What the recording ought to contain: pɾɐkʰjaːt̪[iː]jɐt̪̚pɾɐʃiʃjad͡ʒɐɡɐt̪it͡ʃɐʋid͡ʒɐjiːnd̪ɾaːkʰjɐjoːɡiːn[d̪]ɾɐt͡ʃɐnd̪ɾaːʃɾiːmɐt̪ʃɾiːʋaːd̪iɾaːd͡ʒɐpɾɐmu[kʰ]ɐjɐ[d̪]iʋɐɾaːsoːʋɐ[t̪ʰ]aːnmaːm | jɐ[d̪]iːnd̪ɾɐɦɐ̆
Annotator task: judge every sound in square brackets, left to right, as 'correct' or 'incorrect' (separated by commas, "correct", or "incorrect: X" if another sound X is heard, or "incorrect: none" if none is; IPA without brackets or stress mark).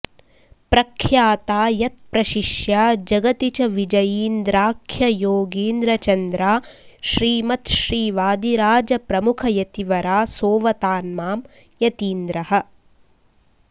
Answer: incorrect: aː, correct, correct, incorrect: t̪, incorrect: t̪, incorrect: t̪